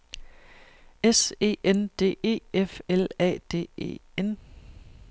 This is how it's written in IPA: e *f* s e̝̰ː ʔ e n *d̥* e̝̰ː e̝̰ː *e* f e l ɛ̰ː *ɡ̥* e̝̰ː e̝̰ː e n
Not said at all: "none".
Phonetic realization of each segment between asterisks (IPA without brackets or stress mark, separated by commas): none, d̥, e, d̥